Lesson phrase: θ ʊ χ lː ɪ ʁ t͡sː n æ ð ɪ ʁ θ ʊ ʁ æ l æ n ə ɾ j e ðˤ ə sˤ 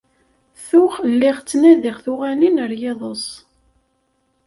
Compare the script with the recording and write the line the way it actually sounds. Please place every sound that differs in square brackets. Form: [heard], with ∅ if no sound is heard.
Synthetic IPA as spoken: θ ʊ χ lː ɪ ʁ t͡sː n æ ð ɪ ʁ θ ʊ ʁ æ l [i] n ə ɾ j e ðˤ ə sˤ